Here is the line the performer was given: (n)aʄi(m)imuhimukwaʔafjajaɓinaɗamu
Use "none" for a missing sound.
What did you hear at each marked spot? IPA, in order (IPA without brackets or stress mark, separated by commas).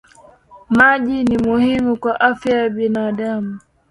m, n